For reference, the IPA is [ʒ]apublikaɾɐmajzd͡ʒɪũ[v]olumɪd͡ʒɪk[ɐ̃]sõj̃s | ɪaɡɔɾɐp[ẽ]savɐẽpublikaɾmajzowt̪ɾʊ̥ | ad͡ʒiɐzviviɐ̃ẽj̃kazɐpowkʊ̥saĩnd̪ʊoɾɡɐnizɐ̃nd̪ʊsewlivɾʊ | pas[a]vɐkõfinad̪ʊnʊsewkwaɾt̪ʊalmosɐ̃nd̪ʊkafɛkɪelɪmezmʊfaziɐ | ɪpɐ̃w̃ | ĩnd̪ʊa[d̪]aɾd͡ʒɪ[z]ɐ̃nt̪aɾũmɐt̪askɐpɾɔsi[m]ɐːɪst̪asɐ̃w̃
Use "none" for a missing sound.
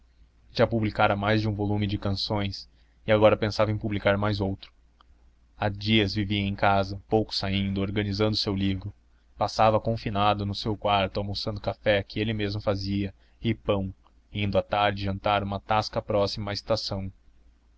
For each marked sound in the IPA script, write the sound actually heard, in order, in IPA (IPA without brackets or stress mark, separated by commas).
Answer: ʒ, v, ɐ̃, ẽ, a, t̪, ʒ, m